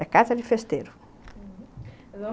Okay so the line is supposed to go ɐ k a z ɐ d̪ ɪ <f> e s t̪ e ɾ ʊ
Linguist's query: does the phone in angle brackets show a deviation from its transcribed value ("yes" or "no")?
no